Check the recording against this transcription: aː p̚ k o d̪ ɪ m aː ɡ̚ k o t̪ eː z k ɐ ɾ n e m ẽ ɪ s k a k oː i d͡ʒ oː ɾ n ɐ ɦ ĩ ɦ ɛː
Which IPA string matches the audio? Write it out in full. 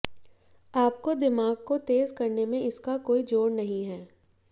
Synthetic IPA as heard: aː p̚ k o d̪ ɪ m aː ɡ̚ k o t̪ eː z k ɐ ɾ n e m ẽ ɪ s k a k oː i d͡ʒ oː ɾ n ɐ ɦ ĩ ɦ ɛː